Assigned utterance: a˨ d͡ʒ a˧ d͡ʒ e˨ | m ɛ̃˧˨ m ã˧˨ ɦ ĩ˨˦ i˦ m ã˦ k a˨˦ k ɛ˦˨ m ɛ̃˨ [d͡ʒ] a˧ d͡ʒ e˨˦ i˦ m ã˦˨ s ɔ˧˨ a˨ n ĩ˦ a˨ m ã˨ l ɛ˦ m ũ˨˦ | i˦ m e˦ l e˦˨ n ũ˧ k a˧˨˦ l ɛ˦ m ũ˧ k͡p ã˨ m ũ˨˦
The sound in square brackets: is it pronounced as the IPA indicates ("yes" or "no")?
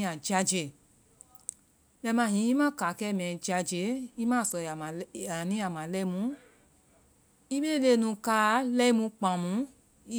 yes